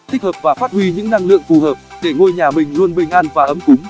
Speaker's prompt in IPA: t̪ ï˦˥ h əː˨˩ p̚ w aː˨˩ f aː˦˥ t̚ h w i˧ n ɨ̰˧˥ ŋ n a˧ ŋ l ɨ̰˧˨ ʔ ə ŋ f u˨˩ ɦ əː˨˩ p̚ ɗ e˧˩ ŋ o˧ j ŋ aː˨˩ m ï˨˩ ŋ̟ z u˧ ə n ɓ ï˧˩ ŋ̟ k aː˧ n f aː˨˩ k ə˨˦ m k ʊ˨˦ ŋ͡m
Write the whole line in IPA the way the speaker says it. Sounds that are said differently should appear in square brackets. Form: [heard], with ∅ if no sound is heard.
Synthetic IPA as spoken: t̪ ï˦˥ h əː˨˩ p̚ [v] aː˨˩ f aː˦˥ t̚ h w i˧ [ɲ] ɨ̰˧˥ ŋ n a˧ ŋ l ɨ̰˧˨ [∅] ə ŋ f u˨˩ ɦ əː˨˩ p̚ ɗ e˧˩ ŋ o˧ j [ɲ] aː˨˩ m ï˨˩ ŋ̟ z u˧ ə n ɓ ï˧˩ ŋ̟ [ʔ] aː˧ n [v] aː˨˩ [ʔ] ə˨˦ m k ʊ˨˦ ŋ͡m